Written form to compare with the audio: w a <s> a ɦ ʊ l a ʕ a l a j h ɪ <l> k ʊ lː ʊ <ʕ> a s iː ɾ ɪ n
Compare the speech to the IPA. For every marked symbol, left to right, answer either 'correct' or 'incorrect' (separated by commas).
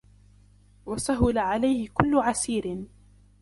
correct, incorrect, correct